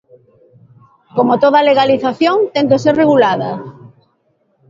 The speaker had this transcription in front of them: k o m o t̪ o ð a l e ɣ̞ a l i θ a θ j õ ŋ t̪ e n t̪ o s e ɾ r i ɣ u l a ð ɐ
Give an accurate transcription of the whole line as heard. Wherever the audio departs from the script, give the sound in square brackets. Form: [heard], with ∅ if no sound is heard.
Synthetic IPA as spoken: k o m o t̪ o ð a l e ɣ̞ a l i θ a θ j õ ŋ t̪ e n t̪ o s e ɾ r [e] ɣ u l a ð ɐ